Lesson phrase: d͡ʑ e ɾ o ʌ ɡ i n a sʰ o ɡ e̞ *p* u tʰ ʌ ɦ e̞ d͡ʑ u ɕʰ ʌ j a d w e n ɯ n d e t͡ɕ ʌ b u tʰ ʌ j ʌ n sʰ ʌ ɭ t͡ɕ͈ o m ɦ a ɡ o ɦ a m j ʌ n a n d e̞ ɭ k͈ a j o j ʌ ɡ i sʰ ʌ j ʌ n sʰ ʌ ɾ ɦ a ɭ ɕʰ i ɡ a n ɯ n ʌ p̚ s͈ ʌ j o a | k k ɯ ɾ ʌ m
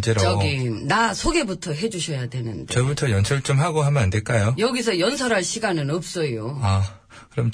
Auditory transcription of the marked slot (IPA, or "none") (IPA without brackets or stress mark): b